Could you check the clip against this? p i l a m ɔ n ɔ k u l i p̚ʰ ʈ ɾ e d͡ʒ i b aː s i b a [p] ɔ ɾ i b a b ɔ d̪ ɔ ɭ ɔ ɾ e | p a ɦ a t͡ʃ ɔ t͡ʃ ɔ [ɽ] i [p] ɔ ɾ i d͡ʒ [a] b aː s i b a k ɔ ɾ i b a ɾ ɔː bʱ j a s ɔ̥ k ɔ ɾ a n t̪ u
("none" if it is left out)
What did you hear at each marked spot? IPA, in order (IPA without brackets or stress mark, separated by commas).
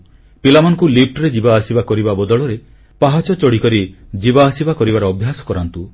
k, ɽ, k, i